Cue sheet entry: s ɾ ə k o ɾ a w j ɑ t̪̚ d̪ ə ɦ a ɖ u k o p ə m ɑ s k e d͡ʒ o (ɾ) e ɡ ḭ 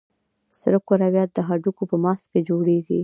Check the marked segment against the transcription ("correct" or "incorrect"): incorrect